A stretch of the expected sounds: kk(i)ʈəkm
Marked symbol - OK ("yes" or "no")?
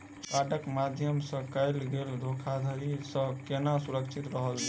no